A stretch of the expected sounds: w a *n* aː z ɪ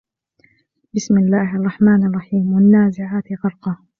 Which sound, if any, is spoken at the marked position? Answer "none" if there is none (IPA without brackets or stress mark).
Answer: nː